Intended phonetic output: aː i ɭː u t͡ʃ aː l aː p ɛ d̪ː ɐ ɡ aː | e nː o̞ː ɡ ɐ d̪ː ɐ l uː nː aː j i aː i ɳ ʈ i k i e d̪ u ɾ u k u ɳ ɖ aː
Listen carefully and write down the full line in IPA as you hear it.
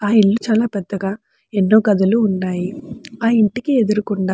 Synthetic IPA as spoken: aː i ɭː u t͡ʃ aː l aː p ɛ d̪ː ɐ ɡ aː | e nː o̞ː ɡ ɐ d̪ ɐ l uː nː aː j i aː i ɳ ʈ i k i e d̪ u ɾ u k u ɳ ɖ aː